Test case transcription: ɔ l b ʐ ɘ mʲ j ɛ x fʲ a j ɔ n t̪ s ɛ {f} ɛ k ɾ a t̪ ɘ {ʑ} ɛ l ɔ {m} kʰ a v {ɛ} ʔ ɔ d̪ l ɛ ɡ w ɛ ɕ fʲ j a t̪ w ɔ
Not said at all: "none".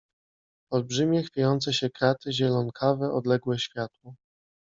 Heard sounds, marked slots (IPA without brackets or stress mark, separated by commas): ɕ, ʑ, n, ɛ